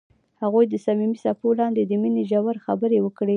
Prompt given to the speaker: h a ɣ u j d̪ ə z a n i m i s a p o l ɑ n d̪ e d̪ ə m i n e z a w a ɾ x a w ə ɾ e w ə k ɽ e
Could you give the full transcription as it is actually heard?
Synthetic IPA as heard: h a ɣ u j d̪ ə s a m i m i s a p o l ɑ n d̪ e d̪ ə m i n e ʒ a w a ɾ x a b ə ɾ e w ə k ɽ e